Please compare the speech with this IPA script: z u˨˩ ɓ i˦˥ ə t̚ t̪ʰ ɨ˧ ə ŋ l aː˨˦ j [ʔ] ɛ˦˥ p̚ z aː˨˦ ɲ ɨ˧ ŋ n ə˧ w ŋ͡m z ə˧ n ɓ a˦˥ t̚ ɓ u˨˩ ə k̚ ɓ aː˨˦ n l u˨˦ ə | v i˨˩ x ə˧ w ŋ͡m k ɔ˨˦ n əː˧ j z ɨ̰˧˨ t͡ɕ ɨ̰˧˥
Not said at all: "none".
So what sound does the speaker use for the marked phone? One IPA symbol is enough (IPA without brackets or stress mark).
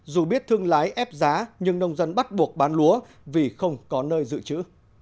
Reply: ʔ